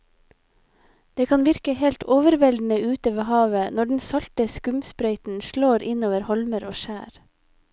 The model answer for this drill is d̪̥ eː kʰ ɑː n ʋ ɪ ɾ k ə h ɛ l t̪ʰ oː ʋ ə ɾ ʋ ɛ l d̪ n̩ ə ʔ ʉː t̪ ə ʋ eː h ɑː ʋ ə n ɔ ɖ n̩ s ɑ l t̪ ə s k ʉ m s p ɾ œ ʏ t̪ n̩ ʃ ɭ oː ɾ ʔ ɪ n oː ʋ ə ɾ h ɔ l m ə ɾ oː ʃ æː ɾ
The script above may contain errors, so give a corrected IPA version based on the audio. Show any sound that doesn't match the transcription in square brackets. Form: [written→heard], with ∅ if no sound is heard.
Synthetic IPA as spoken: d̪̥ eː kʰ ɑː n ʋ ɪ ɾ k ə h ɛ l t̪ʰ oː ʋ ə ɾ ʋ ɛ l d̪ n̩ ə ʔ ʉː t̪ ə ʋ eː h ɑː ʋ ə n ɔ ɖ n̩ s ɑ l t̪ ə s k ʉ m s p ɾ œ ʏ t̪ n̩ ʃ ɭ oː ɾ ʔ ɪ n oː ʋ ə ɾ h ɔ l m ə ɾ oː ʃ æː ɾ